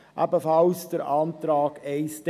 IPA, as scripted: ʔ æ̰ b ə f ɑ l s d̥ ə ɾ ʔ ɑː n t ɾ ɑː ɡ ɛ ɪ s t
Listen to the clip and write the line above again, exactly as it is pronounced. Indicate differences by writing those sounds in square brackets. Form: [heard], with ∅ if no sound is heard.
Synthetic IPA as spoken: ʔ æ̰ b ə f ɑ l s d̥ ə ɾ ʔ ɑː n t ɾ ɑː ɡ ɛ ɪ s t